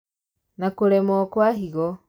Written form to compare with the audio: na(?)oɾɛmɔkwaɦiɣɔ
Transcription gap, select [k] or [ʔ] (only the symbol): k